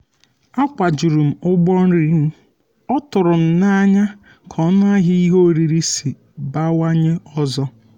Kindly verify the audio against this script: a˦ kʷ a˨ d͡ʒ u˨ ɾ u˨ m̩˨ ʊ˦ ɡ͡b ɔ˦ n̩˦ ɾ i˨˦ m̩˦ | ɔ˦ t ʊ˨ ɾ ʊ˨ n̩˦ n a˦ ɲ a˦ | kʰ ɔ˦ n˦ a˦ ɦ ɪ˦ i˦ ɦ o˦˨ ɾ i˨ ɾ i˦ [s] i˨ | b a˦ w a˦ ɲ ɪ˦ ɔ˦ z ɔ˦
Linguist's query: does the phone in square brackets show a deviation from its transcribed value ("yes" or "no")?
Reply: no